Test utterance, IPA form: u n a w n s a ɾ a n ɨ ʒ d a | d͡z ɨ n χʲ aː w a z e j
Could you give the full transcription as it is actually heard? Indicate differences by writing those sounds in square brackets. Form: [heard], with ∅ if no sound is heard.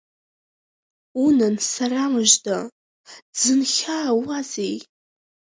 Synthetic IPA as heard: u n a [∅] n s a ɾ a [m] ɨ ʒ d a | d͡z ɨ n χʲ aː w a z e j